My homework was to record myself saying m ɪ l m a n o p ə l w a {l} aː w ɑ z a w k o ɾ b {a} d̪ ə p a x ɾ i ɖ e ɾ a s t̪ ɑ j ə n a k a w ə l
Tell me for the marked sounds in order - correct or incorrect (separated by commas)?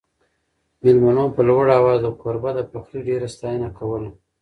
incorrect, correct